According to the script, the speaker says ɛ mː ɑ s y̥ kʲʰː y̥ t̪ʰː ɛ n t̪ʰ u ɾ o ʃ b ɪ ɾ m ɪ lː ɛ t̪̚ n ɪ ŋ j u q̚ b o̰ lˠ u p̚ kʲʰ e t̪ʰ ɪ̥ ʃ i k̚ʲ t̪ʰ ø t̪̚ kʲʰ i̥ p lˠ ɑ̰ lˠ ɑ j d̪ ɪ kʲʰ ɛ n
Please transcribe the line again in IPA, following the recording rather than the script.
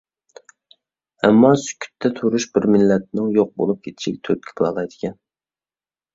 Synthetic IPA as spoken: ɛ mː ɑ s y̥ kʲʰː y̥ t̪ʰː ɛ t̪ʰ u ɾ u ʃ b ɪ ɾ m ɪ lː ɛ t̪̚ n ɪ ŋ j o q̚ b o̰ lˠ u p̚ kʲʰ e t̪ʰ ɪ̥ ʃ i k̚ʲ t̪ʰ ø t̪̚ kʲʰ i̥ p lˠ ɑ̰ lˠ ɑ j d̪ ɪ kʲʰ ɛ n